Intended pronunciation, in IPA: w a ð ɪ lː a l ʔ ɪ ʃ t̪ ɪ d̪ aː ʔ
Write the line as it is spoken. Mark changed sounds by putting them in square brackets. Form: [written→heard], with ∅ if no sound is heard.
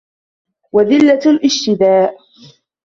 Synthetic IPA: w a ð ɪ lː a l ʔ ɪ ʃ t̪ ɪ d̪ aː ʔ

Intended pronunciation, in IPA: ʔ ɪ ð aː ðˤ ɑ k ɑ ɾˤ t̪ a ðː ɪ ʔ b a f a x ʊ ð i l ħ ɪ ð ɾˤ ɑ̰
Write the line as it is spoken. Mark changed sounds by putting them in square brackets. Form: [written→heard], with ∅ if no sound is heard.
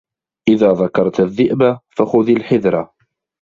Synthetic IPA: ʔ ɪ ð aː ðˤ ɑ k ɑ ɾˤ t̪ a ðː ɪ ʔ b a f a x ʊ ð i l ħ ɪ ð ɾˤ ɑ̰

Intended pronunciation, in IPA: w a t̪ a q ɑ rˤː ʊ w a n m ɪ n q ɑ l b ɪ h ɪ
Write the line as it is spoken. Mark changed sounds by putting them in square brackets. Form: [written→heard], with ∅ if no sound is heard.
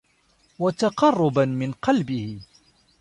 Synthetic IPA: w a t̪ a q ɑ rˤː ʊ [w→b] a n m ɪ n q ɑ l b ɪ h ɪ

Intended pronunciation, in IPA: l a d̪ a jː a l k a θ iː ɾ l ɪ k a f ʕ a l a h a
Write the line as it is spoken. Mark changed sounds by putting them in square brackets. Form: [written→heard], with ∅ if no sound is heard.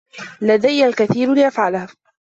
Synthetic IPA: l a d̪ a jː a l k a θ iː ɾ l ɪ [k→ʔ] a f ʕ a l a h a

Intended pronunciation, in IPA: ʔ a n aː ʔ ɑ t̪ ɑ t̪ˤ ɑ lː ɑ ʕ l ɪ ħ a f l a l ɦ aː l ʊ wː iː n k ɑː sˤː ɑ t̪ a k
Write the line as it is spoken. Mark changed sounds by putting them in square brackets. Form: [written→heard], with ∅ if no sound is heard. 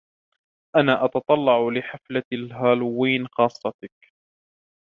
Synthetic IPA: ʔ a n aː ʔ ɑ t̪ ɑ t̪ˤ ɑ lː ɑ ʕ l ɪ ħ a f l a l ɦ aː l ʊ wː iː n [k→x] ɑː sˤː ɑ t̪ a k

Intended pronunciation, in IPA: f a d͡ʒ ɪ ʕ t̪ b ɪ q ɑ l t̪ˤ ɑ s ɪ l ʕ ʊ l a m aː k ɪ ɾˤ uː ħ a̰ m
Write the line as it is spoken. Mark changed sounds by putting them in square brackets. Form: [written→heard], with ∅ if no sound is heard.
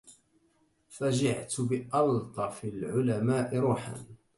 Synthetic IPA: f a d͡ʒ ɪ ʕ t̪ b ɪ [q→ʔ] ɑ l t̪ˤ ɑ [s→f] ɪ l ʕ ʊ l a m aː [k→ʔ] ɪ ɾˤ uː ħ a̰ [m→n]

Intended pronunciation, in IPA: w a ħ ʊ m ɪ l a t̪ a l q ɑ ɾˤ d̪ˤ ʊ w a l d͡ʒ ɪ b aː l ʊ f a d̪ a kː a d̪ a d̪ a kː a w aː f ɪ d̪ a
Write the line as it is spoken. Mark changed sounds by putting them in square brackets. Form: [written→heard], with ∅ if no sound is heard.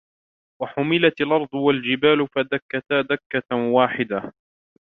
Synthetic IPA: w a ħ ʊ m ɪ l a t̪ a l [q→ʔ] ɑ ɾˤ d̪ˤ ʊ w a l d͡ʒ ɪ b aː l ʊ f a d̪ a kː a [d̪→t̪] a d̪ a kː a w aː [f→ħ] ɪ d̪ a

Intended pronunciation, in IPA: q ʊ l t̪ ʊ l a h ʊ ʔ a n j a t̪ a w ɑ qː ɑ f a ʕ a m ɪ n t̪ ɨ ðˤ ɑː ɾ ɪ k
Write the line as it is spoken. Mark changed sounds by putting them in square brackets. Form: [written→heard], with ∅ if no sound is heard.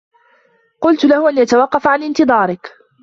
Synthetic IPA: q ʊ l t̪ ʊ l a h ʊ ʔ a n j a t̪ a w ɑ qː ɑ f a ʕ a [m→n] ɪ n t̪ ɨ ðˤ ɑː ɾ ɪ k

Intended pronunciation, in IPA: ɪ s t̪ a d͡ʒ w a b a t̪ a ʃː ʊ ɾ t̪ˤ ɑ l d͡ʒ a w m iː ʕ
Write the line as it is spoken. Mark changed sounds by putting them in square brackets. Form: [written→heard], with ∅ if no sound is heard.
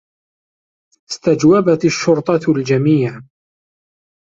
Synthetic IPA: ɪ s t̪ a d͡ʒ w a b a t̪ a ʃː ʊ ɾ t̪ˤ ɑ l d͡ʒ a [w→∅] m iː ʕ

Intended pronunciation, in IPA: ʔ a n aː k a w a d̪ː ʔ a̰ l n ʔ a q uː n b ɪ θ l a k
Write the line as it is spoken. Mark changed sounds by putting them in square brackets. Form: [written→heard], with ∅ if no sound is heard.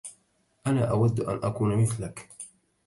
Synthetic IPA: ʔ a n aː [k→ʔ] a w a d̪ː ʔ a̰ [l→∅] n ʔ a [q→k] uː n [b→m] ɪ θ l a k

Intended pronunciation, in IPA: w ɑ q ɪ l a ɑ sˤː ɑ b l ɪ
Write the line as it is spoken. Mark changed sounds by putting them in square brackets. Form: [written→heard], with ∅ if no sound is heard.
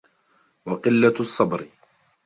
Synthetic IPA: w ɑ q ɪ [l→lː] a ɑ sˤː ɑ b [l→ɾ] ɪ

